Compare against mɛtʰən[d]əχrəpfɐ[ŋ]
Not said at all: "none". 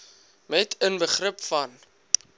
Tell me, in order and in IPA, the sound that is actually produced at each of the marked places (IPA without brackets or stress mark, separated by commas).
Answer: b, n